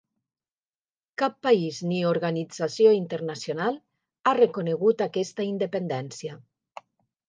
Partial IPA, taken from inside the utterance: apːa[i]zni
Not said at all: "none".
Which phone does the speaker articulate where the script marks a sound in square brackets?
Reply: i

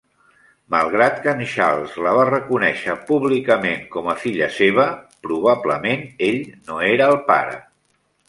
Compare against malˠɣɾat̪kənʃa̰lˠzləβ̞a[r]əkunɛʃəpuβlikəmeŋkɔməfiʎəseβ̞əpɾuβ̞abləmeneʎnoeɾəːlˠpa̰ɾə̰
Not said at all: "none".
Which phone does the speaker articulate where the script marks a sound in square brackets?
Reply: r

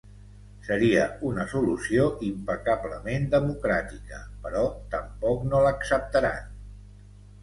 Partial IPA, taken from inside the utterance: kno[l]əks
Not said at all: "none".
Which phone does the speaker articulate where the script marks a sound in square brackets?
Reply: l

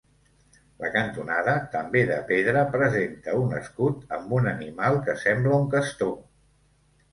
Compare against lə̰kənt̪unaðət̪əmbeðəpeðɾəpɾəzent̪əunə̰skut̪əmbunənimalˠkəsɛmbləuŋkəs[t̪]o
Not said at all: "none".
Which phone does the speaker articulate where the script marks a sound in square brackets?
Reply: t̪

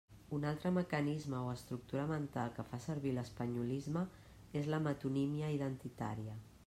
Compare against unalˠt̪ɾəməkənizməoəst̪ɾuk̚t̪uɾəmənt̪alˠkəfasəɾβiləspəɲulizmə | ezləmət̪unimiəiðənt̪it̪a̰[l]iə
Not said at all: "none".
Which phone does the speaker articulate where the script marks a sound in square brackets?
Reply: ɾ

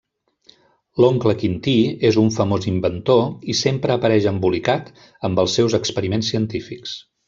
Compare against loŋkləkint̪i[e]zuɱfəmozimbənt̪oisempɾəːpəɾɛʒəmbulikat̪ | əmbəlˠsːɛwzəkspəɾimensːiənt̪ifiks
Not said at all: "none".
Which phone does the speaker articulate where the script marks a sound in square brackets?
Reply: e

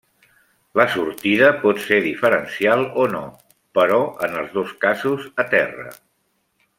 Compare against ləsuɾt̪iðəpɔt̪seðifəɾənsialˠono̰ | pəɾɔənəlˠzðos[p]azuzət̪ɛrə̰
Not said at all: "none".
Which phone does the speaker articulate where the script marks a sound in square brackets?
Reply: k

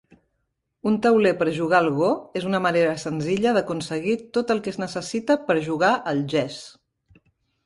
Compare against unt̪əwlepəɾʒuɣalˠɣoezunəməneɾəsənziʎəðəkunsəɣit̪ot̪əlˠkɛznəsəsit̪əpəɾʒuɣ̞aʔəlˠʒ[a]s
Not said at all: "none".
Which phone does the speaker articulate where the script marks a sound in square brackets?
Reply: ɛ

